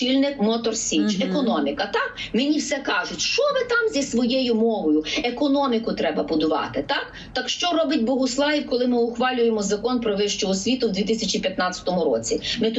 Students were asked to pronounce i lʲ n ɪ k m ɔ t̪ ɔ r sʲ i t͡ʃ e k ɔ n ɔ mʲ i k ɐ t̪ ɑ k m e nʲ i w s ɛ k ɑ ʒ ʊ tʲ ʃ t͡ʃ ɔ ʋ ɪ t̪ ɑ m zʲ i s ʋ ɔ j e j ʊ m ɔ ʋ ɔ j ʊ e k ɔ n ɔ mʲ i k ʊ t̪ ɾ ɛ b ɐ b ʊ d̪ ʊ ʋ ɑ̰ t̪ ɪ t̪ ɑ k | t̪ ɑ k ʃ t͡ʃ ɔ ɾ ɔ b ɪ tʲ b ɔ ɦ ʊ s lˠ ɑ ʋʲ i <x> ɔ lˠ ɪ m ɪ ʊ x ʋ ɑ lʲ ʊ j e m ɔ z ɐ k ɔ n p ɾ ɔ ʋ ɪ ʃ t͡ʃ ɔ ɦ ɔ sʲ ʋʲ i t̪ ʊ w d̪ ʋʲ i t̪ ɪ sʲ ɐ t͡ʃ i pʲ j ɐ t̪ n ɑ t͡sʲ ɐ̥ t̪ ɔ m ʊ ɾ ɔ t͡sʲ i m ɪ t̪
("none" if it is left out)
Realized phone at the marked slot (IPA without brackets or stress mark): k